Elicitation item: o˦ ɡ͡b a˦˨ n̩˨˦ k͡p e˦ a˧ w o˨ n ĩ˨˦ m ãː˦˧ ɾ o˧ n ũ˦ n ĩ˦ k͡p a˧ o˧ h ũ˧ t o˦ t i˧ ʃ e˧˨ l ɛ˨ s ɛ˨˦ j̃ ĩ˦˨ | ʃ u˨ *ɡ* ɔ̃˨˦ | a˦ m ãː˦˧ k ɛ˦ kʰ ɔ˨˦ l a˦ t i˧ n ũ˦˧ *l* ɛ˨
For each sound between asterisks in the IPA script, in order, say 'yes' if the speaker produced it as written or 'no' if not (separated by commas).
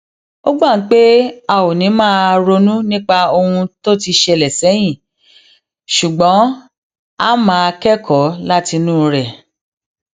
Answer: no, no